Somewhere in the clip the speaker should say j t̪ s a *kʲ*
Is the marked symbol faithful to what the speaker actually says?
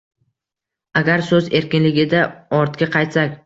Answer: yes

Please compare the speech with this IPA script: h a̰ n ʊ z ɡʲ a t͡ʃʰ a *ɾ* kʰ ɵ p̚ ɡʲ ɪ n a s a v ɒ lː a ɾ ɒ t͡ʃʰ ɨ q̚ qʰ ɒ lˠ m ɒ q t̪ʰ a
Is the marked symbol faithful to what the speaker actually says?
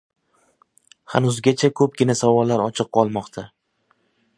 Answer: no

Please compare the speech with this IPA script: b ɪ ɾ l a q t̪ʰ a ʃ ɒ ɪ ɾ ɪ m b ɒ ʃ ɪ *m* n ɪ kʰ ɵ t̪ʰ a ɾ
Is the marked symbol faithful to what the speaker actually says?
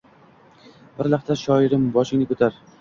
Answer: no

